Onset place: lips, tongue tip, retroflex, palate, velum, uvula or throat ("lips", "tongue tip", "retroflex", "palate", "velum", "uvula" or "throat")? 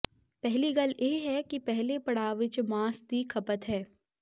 lips